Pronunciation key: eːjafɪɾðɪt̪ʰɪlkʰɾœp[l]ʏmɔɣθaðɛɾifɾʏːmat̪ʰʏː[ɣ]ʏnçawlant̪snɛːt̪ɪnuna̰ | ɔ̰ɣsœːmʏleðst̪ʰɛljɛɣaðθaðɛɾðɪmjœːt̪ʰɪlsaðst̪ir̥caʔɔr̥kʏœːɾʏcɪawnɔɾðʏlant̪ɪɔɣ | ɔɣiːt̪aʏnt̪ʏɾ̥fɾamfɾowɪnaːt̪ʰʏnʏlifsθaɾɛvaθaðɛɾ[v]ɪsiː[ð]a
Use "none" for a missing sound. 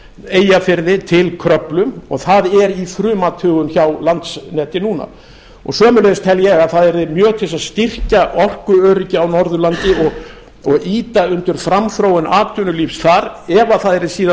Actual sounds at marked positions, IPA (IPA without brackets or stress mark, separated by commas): l, ɣ, ð, ð